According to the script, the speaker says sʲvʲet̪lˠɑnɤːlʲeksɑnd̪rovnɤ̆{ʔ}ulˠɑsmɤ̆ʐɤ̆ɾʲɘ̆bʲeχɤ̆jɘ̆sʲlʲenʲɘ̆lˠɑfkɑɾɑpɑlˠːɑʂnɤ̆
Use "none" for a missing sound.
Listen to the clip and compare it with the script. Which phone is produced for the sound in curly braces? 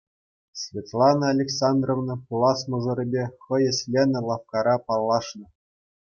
p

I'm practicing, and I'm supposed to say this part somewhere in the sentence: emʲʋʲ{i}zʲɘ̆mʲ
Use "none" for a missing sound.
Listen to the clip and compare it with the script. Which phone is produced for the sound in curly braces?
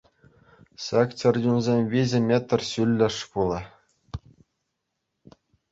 i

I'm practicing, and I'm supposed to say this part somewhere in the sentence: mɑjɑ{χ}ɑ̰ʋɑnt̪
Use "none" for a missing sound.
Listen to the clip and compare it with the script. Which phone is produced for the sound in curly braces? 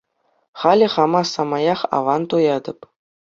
χ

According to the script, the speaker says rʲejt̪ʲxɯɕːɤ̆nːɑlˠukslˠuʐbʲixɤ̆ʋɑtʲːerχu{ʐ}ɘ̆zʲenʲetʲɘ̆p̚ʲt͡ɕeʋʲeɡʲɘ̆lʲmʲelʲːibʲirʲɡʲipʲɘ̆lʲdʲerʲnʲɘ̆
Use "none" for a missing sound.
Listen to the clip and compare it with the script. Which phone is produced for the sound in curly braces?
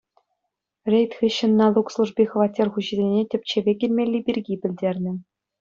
ʑ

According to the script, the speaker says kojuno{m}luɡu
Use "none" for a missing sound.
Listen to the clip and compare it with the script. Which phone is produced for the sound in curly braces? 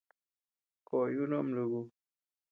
m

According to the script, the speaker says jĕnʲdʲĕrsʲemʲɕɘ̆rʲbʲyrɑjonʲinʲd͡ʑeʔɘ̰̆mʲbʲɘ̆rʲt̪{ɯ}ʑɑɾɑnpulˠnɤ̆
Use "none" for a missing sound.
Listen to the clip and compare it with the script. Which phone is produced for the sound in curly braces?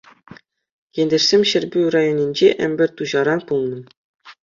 u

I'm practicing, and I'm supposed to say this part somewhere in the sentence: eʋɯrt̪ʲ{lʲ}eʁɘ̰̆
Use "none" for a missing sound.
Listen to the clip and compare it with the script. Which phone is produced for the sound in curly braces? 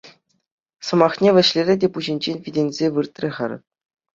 rʲ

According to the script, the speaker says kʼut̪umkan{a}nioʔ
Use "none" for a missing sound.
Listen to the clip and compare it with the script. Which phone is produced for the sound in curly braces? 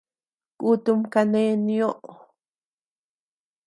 e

